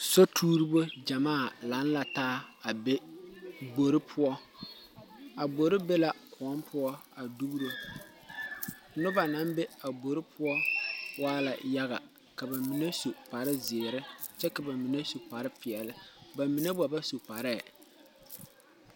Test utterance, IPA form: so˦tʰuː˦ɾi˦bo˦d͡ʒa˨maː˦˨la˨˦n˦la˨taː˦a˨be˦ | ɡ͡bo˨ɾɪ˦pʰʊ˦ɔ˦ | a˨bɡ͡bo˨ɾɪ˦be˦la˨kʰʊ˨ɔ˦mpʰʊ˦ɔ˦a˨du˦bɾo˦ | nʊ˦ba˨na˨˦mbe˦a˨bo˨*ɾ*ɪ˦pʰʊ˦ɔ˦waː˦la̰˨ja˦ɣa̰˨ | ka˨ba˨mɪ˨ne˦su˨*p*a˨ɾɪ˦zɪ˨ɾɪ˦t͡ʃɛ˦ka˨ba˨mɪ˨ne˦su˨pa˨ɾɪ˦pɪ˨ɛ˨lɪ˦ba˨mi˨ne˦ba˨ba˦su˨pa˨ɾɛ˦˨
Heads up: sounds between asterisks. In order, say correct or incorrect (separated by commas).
correct, correct